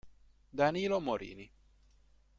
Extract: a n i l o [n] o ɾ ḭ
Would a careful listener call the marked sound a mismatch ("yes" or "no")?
yes